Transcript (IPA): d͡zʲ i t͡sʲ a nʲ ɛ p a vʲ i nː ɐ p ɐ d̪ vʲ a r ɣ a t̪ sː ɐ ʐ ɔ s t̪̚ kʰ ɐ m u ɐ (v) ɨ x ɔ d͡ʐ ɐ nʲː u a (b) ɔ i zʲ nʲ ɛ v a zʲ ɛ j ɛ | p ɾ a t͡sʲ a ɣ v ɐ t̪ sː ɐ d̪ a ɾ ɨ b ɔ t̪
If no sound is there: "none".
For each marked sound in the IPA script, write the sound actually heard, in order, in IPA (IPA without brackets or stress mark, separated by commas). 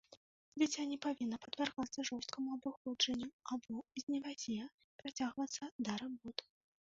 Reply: b, b